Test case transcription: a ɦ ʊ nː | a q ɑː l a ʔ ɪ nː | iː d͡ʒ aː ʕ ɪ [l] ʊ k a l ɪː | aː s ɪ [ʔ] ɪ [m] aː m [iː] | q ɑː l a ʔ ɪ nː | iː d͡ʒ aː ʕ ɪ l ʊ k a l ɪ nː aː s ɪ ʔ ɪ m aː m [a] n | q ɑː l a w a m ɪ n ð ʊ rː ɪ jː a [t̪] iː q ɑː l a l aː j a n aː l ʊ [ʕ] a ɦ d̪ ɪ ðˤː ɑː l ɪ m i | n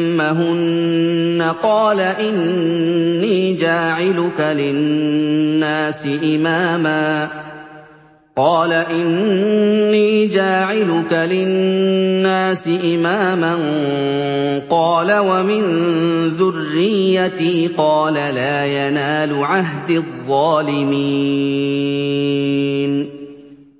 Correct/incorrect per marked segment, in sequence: correct, correct, correct, incorrect, correct, correct, correct

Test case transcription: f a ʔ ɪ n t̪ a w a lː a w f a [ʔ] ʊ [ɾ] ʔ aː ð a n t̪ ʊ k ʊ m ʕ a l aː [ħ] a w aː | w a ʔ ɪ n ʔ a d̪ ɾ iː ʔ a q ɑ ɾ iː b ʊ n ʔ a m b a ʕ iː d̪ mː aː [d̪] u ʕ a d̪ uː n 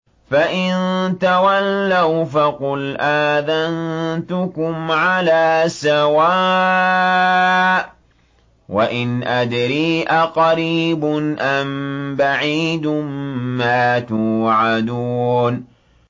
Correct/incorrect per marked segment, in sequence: incorrect, incorrect, incorrect, incorrect

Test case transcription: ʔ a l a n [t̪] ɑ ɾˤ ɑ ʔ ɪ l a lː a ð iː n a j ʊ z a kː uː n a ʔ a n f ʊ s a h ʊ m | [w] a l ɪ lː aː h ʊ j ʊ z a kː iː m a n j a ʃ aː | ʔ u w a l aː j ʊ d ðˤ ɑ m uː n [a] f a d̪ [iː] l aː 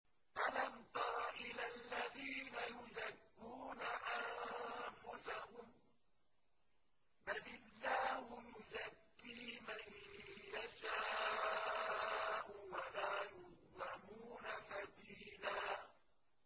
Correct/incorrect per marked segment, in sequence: correct, incorrect, correct, correct

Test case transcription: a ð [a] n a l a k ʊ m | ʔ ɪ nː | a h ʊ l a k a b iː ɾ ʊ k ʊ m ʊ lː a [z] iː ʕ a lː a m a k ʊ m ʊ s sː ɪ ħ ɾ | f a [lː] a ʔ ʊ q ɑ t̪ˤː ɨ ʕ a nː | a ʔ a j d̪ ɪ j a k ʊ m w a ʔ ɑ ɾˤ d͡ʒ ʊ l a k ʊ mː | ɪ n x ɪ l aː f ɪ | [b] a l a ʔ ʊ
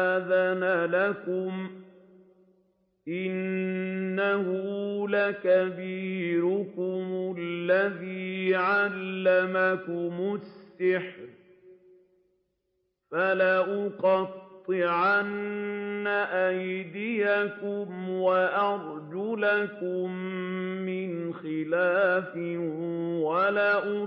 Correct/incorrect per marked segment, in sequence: correct, incorrect, incorrect, incorrect

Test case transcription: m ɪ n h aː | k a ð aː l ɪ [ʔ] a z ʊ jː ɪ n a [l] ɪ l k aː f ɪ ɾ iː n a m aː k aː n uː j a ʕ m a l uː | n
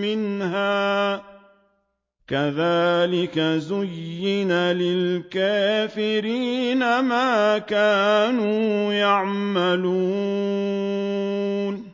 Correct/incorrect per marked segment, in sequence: incorrect, correct

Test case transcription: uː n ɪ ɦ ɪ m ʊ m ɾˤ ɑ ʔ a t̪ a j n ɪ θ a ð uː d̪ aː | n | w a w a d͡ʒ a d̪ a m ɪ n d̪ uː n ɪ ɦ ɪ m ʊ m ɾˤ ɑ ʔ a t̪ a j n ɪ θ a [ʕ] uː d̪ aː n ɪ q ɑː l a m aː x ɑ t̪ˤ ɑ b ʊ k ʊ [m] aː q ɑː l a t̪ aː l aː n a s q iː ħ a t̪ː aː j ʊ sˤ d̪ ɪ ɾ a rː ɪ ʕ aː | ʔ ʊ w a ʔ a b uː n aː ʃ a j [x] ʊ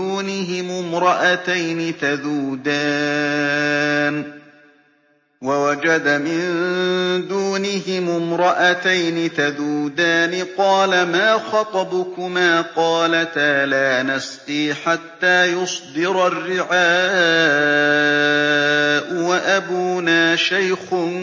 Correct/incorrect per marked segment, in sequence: incorrect, correct, correct

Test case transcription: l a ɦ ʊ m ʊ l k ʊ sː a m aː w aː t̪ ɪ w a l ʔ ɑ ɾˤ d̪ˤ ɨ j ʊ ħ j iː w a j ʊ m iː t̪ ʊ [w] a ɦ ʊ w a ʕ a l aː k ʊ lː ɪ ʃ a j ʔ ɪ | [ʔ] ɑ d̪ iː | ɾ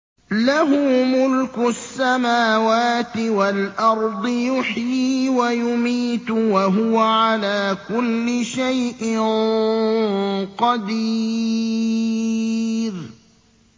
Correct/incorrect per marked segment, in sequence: correct, incorrect

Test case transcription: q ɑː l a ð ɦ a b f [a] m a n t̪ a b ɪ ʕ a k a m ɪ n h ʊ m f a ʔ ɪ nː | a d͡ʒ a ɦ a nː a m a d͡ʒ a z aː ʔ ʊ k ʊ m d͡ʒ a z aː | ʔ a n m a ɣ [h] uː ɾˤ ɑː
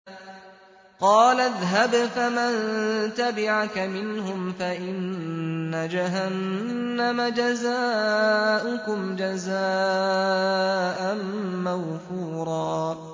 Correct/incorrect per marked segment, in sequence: correct, incorrect

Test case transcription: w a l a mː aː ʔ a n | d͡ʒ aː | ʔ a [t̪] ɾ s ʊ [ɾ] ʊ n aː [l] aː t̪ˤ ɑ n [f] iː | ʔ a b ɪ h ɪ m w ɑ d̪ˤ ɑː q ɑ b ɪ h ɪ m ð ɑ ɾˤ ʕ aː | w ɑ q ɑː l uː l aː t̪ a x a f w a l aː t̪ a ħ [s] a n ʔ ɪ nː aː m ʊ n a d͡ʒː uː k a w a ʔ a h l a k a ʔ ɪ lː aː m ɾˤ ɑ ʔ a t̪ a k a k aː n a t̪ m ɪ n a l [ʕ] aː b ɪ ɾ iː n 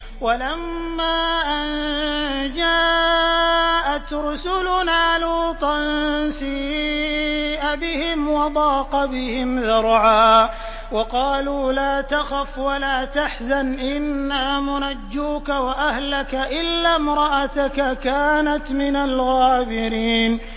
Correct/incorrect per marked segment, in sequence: correct, incorrect, correct, incorrect, incorrect, incorrect

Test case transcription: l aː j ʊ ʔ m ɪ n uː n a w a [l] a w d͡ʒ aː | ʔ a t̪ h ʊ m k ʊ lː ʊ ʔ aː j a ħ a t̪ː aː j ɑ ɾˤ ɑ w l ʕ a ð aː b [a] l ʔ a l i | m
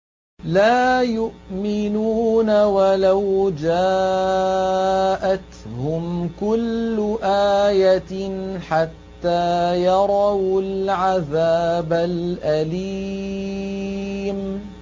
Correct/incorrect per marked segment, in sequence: correct, correct

